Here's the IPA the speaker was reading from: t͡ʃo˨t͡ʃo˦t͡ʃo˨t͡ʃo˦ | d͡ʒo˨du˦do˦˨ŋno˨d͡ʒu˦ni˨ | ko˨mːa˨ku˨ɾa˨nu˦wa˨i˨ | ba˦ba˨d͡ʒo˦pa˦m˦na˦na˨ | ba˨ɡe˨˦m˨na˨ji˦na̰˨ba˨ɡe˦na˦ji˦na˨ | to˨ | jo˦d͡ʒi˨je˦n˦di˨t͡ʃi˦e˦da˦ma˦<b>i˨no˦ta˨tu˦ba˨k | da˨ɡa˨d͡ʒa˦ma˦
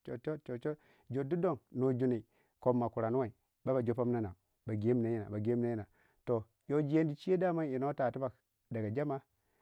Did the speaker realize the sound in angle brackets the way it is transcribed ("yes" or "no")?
no